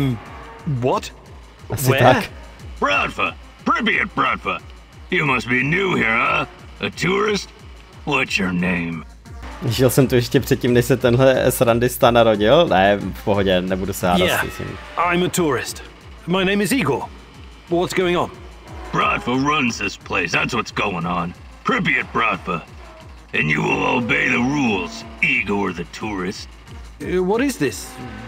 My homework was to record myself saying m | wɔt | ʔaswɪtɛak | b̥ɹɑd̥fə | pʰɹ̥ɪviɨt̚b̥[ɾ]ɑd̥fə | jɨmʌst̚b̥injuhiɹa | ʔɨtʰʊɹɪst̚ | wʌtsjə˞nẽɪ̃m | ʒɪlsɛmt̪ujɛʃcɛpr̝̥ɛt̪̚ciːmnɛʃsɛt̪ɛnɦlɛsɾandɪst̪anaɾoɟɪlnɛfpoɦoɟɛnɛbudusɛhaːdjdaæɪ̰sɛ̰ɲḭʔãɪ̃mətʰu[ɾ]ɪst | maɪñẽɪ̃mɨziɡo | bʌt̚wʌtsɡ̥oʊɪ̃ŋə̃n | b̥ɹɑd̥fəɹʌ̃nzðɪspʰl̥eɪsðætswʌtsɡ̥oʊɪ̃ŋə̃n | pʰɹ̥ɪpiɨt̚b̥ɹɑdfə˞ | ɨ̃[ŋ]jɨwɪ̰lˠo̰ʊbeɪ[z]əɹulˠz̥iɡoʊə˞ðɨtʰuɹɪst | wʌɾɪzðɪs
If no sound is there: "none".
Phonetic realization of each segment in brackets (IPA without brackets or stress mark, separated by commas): ɹ, ɹ, n, ð